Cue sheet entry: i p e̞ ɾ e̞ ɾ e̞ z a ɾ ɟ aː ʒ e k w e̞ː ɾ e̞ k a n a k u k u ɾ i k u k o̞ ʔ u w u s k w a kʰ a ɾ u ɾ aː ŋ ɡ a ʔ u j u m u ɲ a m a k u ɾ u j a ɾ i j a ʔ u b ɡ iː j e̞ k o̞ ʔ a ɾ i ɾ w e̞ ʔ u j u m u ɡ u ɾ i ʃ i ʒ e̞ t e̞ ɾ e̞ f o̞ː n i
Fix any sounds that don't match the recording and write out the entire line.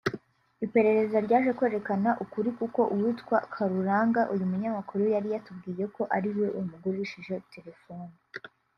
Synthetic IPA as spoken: i p e̞ ɾ e̞ ɾ e̞ z a ɾ ɟ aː ʒ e k w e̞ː ɾ e̞ k a n a ʔ u k u ɾ i k u k o̞ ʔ u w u t k w a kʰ a ɾ u ɾ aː ŋ ɡ a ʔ u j u m u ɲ a m a k u ɾ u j a ɾ i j a t u b ɡ iː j e̞ k o̞ ʔ a ɾ i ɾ w e̞ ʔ u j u m u ɡ u ɾ i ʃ i ʒ e̞ t e̞ ɾ e̞ f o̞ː n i